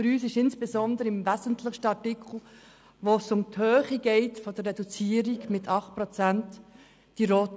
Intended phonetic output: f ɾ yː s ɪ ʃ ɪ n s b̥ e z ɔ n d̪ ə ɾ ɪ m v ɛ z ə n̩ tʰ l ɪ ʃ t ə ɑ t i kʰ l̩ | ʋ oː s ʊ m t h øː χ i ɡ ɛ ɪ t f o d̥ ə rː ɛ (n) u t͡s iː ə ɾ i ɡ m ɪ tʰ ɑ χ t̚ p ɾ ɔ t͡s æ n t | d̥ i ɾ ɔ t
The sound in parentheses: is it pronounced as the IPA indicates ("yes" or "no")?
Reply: no